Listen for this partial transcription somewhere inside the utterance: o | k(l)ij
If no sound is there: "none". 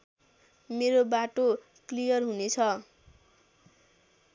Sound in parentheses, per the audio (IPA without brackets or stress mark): l